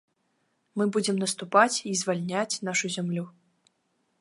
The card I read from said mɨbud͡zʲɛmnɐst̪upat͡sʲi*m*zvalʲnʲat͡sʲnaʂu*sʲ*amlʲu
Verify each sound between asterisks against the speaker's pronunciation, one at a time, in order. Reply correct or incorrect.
incorrect: none, incorrect: zʲ

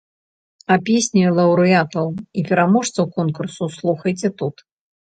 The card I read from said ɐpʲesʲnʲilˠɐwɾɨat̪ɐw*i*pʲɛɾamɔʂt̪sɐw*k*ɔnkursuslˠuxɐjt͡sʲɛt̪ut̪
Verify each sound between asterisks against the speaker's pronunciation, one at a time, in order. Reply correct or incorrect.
correct, correct

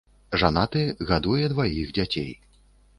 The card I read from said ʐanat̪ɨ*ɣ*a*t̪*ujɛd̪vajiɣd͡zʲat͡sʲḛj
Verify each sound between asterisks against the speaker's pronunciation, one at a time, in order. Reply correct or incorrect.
correct, incorrect: d̪

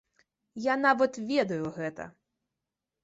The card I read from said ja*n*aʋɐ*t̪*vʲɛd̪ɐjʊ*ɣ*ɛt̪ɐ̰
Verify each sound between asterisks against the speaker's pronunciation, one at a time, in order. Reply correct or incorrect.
correct, correct, correct

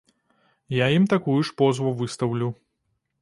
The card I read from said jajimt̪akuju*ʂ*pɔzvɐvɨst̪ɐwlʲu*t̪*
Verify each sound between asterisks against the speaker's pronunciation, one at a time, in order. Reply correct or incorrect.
correct, incorrect: none

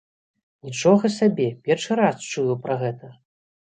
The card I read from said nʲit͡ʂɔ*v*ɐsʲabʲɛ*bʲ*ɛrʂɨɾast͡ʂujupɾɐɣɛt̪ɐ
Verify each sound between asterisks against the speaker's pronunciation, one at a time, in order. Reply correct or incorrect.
incorrect: ɣ, incorrect: pʲ

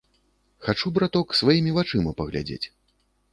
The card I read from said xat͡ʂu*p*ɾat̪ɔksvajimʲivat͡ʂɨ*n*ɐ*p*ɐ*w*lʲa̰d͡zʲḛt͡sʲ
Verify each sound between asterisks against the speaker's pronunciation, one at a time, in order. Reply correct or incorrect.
incorrect: b, incorrect: m, correct, incorrect: ɣ

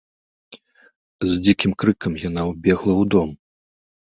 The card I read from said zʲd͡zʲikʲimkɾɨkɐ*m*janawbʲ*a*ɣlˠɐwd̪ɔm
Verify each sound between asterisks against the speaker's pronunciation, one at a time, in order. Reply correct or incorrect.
correct, incorrect: ɛ

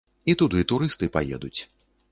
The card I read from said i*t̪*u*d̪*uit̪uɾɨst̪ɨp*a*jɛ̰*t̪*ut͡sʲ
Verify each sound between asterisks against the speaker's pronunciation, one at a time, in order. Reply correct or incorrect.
correct, correct, correct, incorrect: d̪

